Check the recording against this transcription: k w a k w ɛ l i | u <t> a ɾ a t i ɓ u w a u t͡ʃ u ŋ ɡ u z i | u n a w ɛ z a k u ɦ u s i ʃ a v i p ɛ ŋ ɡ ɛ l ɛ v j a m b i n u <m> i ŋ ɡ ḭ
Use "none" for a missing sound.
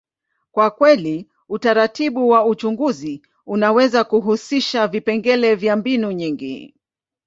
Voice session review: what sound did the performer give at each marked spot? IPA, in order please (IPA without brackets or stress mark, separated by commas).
t, ɲ